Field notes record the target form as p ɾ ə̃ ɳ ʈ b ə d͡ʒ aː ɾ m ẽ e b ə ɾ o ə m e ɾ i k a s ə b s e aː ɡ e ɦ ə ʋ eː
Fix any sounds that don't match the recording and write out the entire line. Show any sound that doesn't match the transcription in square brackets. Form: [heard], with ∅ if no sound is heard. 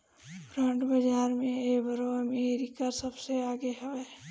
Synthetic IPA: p ɾ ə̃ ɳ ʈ b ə d͡ʒ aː ɾ m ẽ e b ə ɾ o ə m e ɾ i k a s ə b s e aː ɡ e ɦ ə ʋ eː

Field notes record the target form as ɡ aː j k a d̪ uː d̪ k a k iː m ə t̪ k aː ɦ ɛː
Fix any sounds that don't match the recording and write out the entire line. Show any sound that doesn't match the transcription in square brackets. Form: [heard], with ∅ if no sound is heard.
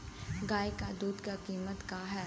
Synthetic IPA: ɡ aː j k a d̪ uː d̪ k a k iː m ə t̪ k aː ɦ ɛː

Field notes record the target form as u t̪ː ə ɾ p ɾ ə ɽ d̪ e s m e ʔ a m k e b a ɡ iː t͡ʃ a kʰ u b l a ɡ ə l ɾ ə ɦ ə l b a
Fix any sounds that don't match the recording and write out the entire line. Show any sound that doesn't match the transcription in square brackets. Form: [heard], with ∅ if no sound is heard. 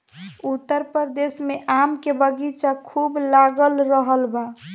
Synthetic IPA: u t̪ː ə ɾ p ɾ ə [ɾ] d̪ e s m e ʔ a m k e b [ə] ɡ [i] t͡ʃ a kʰ u b l a ɡ ə l ɾ ə ɦ ə l b a

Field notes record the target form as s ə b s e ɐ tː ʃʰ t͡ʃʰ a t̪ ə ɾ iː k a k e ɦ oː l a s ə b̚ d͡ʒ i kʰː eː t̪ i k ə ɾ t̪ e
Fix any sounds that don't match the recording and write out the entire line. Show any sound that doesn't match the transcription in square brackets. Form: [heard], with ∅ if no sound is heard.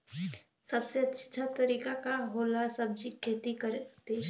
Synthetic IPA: s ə b s e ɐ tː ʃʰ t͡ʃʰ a t̪ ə ɾ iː k a k [a] ɦ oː l a s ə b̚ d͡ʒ i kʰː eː t̪ i k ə ɾ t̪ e

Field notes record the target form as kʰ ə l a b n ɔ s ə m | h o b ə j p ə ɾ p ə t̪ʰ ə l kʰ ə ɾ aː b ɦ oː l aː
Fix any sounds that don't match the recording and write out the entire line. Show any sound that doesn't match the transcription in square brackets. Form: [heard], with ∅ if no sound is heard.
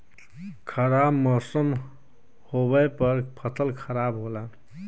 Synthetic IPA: kʰ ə [ɾ] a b [m] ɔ s ə m | h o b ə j p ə ɾ [pʰ] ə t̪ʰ ə l kʰ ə ɾ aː b ɦ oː l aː

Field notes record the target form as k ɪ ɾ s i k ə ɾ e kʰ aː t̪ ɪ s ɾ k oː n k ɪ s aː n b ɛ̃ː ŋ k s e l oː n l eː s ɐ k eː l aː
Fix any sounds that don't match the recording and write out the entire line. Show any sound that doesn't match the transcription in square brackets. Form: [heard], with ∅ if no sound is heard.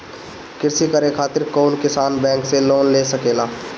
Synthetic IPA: k ɪ ɾ s i k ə ɾ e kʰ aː t̪ ɪ [∅] ɾ k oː n k ɪ s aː n b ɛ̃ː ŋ k s e l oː n l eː s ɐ k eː l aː

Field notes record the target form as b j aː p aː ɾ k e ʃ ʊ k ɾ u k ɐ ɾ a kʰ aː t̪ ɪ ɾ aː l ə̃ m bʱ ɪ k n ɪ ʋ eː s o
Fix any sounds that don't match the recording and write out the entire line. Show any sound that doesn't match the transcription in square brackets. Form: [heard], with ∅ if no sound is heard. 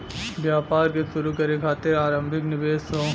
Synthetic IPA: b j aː p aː ɾ k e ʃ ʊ [∅] ɾ u k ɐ ɾ [e] kʰ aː t̪ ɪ ɾ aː [ɾ] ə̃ m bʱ ɪ k n ɪ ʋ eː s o

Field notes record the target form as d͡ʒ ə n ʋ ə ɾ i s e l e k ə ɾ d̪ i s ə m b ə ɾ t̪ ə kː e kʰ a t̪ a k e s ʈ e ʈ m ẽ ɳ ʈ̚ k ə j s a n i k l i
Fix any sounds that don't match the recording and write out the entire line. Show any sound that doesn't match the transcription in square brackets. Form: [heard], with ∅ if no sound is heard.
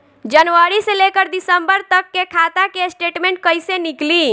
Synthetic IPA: d͡ʒ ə n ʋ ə ɾ i s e l e k ə ɾ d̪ i s ə m b ə ɾ t̪ ə kː e kʰ a t̪ a k e s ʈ e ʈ m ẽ ɳ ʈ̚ k ə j s [e] n i k l i

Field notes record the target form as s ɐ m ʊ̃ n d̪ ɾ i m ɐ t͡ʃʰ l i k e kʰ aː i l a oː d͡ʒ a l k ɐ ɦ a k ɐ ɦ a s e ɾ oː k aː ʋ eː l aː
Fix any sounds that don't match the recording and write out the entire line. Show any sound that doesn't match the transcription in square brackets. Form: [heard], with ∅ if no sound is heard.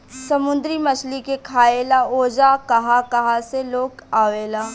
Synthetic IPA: s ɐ m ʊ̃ n d̪ ɾ i m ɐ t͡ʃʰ l i k e kʰ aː [e] l a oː d͡ʒ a [∅] k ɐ ɦ a k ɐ ɦ a s e [l] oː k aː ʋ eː l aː

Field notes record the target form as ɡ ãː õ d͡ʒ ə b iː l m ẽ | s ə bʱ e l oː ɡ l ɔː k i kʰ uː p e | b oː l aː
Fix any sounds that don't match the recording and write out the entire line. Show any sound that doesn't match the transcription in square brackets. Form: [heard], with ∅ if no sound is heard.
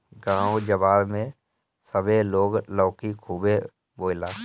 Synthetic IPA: ɡ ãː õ d͡ʒ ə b [aː] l m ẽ | s ə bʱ e l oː ɡ l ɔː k i kʰ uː [b] e | b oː l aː

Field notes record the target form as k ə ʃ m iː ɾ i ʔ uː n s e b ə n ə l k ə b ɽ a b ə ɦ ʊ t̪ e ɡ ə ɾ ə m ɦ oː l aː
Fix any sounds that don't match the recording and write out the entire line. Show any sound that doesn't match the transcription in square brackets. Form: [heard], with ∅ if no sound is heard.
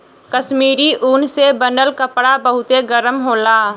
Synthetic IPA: k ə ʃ m iː ɾ i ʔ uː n s e b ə n ə l k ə [p] ɽ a b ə ɦ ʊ t̪ e ɡ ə ɾ ə m ɦ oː l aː

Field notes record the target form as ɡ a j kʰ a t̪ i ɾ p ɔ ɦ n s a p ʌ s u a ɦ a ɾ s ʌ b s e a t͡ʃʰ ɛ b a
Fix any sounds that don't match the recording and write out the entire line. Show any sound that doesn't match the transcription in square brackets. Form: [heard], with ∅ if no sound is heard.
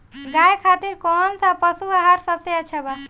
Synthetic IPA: ɡ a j kʰ a t̪ i ɾ [k] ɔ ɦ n s a p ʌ s u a ɦ a ɾ s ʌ b s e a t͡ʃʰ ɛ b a

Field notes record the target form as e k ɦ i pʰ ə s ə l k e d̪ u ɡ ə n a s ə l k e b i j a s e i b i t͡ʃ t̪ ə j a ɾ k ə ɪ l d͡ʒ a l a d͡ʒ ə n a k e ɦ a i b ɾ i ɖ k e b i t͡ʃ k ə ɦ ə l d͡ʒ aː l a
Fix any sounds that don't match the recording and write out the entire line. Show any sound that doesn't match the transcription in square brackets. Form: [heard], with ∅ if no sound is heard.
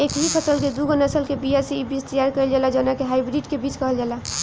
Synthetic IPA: e k ɦ i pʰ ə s ə l k e d̪ u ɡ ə n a s ə l k e b i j a s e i b i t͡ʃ t̪ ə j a ɾ k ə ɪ l d͡ʒ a l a d͡ʒ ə n a k e ɦ a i b ɾ i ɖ k e b i t͡ʃ k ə ɦ ə l d͡ʒ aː l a

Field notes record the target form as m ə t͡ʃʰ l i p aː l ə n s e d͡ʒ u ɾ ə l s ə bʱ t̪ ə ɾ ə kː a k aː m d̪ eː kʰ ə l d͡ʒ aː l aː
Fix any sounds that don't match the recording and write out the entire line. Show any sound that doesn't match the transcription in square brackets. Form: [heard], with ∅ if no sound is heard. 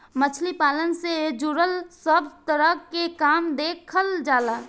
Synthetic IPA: m ə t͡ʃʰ l i p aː l ə n s e d͡ʒ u ɾ ə l s ə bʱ t̪ ə ɾ ə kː [e] k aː m d̪ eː kʰ ə l d͡ʒ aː l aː

